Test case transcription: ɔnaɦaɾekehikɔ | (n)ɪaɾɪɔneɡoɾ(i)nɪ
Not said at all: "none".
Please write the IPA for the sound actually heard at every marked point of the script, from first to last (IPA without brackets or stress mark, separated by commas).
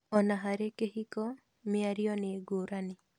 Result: m, a